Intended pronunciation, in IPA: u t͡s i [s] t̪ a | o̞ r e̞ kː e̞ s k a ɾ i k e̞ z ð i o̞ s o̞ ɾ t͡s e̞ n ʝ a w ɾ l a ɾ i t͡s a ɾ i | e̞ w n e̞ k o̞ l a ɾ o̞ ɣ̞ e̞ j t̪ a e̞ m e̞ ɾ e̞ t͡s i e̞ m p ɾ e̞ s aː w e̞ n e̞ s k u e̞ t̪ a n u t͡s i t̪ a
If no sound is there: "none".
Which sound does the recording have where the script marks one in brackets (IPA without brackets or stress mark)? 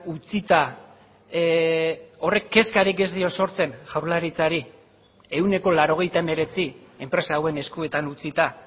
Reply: none